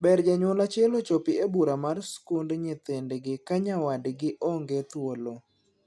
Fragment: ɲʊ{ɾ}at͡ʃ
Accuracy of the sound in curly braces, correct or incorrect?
incorrect